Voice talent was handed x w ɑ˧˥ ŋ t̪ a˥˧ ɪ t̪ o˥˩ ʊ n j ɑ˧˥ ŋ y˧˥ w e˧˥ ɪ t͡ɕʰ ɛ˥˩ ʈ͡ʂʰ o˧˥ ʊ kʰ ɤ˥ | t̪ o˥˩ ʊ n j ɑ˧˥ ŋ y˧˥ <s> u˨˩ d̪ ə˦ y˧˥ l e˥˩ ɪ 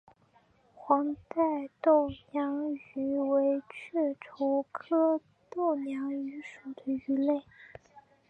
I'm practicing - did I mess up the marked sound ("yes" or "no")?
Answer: yes